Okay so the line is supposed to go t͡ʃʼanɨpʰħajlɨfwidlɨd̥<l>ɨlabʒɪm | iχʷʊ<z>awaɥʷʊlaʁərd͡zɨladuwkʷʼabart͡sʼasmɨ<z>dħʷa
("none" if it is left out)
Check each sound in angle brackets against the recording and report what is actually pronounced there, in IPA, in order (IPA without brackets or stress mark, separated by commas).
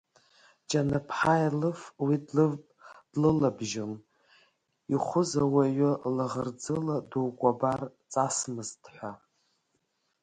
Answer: l, z, z